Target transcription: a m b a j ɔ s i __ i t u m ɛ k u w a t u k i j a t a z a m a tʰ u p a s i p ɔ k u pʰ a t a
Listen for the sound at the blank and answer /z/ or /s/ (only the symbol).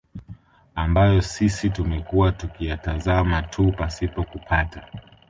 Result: s